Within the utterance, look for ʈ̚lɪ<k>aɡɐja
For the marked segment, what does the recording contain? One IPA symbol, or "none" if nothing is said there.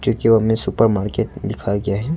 kʰ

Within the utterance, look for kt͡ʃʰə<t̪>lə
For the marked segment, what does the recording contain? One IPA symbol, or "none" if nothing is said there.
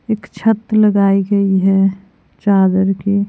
t̪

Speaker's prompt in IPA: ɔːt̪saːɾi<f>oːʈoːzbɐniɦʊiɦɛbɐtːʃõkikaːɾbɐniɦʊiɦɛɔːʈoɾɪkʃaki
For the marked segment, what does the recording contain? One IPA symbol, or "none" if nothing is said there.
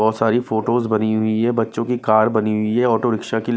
f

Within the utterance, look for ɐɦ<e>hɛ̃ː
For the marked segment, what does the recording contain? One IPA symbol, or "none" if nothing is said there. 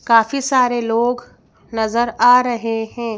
e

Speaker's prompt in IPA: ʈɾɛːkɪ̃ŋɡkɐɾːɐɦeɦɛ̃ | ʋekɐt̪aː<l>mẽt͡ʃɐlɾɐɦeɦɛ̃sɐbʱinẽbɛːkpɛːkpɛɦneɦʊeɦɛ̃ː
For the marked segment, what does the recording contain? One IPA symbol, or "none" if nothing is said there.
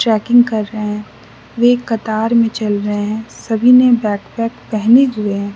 ɾ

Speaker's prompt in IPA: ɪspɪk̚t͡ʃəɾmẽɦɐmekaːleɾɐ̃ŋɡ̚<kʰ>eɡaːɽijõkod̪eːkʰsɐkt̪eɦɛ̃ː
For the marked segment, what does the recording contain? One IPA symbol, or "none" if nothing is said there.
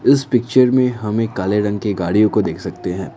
k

